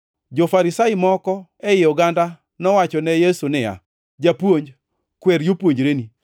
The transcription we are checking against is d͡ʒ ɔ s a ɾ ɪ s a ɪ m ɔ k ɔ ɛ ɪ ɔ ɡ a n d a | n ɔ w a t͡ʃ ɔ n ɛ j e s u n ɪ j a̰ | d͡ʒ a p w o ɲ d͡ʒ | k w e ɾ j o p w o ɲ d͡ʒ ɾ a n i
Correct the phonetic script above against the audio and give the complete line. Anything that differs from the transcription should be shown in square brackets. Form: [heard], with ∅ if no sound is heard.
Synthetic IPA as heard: d͡ʒ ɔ [f] a ɾ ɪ s a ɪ m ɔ k ɔ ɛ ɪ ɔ ɡ a n d a | n ɔ w a t͡ʃ ɔ n ɛ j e s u n ɪ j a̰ | d͡ʒ a p w o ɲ d͡ʒ | k w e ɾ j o p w o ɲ d͡ʒ ɾ [e] n i